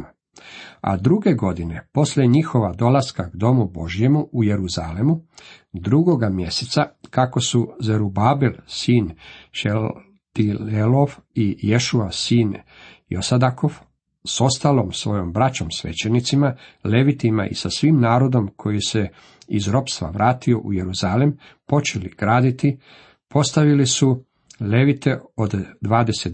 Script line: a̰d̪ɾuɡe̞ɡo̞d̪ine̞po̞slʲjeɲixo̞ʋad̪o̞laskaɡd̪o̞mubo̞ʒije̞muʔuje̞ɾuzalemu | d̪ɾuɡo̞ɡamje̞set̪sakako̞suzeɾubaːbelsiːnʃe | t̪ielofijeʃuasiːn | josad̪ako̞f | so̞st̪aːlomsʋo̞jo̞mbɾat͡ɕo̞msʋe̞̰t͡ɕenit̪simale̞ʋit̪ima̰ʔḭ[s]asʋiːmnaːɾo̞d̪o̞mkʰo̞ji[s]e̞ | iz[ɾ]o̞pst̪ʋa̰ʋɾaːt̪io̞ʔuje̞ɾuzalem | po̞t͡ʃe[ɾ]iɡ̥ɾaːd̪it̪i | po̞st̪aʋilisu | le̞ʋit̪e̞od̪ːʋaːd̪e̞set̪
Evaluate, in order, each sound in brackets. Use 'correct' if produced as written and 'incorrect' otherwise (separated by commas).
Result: correct, correct, correct, incorrect